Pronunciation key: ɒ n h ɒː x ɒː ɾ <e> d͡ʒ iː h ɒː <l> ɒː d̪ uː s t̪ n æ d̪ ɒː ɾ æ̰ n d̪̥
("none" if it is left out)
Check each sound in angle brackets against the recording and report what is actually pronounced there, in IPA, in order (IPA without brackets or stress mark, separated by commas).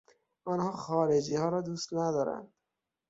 e, ɾ